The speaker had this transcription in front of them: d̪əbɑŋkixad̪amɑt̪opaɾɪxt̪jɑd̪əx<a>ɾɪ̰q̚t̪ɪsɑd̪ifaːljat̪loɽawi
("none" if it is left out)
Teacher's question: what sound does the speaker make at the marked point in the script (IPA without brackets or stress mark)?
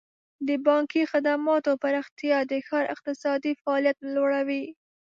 ɑ